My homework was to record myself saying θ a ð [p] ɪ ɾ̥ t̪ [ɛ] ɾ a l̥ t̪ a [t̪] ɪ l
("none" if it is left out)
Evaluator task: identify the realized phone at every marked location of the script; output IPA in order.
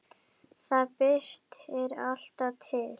p, ɛ, t̪ʰ

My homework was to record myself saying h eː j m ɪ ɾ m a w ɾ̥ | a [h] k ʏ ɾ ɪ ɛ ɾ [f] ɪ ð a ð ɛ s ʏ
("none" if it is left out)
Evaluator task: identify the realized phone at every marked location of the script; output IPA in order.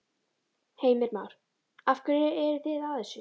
f, θ

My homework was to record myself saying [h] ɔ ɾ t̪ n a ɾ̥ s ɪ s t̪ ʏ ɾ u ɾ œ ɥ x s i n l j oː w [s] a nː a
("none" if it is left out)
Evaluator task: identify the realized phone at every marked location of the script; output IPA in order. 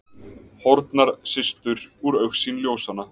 h, s

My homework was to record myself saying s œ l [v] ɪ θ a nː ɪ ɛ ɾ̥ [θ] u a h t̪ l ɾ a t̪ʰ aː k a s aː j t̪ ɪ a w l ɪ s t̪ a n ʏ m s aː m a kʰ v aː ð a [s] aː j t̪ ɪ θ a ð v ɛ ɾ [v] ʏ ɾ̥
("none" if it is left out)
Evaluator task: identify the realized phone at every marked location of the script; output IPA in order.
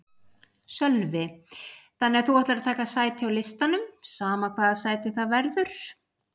v, θ, s, ð

